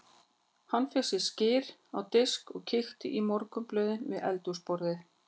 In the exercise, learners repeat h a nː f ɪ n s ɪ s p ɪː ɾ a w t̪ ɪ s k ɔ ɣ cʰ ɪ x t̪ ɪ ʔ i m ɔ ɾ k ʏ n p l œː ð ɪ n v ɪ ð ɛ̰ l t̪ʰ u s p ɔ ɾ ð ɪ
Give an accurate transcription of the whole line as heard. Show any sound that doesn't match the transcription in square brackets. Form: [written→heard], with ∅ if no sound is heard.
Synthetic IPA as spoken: h a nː f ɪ [n→∅] s ɪ s [p→c] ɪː ɾ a w t̪ ɪ s k ɔ ɣ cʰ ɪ x t̪ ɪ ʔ i m ɔ ɾ k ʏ [n→m] p l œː ð ɪ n v ɪ ð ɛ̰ l [t̪ʰ→t̪] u s p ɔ ɾ ð ɪ